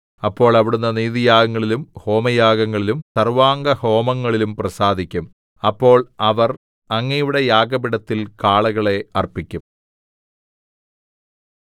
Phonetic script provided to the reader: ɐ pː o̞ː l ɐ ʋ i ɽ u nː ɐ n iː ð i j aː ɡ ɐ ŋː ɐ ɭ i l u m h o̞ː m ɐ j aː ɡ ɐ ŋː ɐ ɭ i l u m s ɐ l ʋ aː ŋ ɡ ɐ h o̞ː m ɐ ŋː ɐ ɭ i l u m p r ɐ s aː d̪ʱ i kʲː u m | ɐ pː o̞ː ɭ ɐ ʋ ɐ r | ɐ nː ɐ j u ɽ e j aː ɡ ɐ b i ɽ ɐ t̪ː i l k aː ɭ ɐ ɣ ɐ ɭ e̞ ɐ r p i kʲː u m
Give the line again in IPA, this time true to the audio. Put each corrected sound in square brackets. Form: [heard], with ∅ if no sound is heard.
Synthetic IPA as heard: ɐ pː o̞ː [ɭ] ɐ ʋ i ɽ u nː ɐ n iː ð i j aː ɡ ɐ ŋː ɐ ɭ i l u m h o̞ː m ɐ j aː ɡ ɐ ŋː ɐ ɭ i l u m s ɐ [r] ʋ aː ŋ ɡ ɐ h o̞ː m ɐ ŋː ɐ ɭ i l u m p r ɐ s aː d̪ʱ i kʲː u m | ɐ pː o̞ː ɭ ɐ ʋ ɐ r | ɐ [ŋː] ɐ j u ɽ e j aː ɡ ɐ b i ɽ ɐ t̪ː i l k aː ɭ ɐ ɣ ɐ ɭ e̞ ɐ r p i kʲː u m

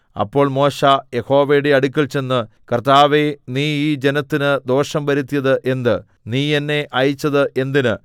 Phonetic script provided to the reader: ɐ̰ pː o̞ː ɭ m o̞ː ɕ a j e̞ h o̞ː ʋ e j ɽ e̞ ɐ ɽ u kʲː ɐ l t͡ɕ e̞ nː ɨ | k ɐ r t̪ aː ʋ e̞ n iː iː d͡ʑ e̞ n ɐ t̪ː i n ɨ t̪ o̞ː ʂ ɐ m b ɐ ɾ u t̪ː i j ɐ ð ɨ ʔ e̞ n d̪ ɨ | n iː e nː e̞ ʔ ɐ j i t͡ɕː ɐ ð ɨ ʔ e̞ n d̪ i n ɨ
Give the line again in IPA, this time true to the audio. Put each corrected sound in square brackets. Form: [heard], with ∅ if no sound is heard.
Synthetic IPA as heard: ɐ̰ pː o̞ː ɭ m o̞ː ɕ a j e̞ h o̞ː ʋ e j ɽ e̞ ɐ ɽ u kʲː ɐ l t͡ɕ e̞ nː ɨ | k ɐ r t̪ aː ʋ e̞ n iː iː d͡ʑ e̞ n ɐ t̪ː i n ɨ [d̪] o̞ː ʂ ɐ m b ɐ ɾ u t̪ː i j ɐ ð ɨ ʔ e̞ n d̪ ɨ | n iː e nː e̞ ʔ ɐ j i t͡ɕː ɐ ð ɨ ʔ e̞ n d̪ i n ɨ

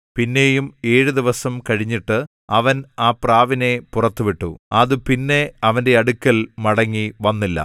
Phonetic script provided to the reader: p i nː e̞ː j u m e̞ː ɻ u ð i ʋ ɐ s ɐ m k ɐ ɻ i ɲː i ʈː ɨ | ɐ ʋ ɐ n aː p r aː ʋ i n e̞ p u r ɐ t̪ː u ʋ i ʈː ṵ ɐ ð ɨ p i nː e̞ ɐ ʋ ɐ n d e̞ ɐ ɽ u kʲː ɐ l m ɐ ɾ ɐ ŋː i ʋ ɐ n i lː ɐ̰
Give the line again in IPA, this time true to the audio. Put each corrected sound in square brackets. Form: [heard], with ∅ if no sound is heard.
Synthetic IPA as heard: p i nː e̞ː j u m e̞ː ɻ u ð i ʋ ɐ s ɐ m k ɐ ɻ i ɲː i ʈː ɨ | ɐ ʋ ɐ n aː p r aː ʋ i n e̞ p u r ɐ t̪ː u ʋ i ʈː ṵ ɐ ð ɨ p i nː e̞ ɐ ʋ ɐ n d e̞ ɐ ɽ u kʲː ɐ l m ɐ [ɽ] ɐ ŋː i ʋ ɐ [nː] i lː ɐ̰

